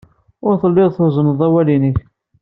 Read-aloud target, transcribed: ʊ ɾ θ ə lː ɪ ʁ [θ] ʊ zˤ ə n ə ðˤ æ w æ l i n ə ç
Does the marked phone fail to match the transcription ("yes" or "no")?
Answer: no